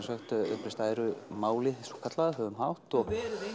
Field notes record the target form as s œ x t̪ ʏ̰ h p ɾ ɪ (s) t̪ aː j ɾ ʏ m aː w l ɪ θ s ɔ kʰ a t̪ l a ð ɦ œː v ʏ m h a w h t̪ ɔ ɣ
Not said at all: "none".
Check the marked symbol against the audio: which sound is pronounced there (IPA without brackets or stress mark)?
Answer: s